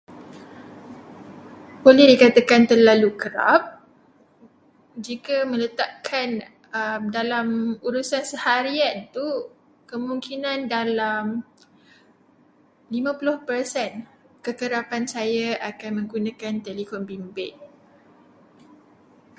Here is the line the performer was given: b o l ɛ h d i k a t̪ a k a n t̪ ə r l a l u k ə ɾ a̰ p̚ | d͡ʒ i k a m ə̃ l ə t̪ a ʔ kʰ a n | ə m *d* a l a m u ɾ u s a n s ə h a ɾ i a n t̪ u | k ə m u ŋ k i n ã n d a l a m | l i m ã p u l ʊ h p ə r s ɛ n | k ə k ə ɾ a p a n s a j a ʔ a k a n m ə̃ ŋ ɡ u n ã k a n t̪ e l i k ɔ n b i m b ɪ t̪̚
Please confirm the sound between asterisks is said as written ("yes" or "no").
yes